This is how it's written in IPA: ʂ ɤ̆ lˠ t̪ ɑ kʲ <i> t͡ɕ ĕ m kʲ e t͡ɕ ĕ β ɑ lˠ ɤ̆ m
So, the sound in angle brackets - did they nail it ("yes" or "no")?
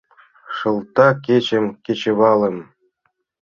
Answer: no